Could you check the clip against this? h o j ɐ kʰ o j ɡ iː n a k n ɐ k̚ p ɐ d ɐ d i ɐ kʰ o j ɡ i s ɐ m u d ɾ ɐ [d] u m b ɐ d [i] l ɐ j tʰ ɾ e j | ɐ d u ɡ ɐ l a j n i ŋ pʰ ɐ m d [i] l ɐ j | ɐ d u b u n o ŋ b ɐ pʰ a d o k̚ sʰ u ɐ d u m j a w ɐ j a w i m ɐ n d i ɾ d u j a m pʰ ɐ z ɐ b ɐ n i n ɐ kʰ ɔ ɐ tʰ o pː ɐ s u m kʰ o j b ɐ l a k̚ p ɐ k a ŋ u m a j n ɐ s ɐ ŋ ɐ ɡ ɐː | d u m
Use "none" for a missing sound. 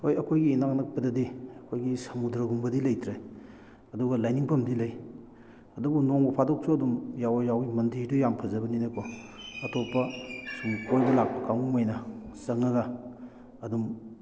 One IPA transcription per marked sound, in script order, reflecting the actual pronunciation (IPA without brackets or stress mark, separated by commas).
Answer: ɡ, i, i